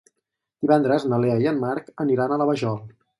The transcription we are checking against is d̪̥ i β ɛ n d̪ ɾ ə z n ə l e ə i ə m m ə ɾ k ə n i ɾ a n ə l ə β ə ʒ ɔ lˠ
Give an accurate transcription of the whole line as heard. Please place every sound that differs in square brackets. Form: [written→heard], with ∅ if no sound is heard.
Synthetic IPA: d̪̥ i β ɛ n d̪ ɾ ə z n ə l e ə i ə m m [ə→a] ɾ k ə n i ɾ a n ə l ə β ə ʒ ɔ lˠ